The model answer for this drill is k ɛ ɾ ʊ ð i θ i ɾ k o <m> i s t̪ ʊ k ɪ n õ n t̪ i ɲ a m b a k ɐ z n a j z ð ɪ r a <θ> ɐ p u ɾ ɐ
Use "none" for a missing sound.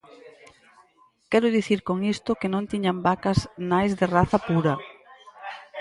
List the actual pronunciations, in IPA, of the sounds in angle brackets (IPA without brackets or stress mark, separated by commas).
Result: ŋ, θ